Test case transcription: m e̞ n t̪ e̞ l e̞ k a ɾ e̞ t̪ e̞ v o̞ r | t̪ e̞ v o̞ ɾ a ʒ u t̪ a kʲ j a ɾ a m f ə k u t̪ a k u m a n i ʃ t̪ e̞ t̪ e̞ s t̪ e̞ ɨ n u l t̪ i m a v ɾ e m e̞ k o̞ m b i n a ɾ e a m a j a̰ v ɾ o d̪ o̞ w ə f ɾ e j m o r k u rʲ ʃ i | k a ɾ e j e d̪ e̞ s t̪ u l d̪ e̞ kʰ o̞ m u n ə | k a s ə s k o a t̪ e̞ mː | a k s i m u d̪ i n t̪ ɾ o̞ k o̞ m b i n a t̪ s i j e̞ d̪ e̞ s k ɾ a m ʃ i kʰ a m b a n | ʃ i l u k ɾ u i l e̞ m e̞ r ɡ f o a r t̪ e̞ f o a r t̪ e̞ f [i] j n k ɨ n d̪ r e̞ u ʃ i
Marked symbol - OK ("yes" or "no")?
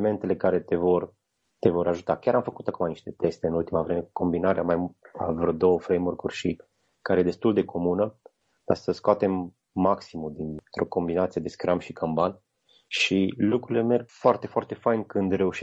no